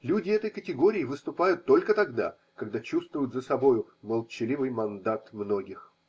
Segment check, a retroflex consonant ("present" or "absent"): absent